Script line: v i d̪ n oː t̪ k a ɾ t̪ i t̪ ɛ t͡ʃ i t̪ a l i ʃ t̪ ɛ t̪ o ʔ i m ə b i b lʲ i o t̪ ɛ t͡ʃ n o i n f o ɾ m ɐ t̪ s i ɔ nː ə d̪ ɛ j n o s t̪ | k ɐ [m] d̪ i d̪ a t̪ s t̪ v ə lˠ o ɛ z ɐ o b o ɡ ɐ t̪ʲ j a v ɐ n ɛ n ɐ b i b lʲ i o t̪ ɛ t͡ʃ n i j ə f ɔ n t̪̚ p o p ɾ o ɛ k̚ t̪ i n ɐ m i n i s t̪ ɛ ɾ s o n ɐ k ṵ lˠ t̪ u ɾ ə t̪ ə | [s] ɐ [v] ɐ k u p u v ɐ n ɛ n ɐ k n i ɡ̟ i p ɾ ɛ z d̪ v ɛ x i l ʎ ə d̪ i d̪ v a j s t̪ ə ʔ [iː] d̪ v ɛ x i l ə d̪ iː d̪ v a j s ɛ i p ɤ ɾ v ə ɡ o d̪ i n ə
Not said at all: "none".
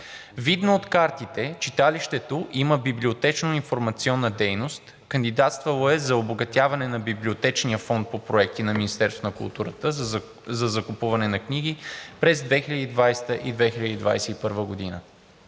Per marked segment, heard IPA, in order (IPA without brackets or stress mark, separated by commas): n, z, z, i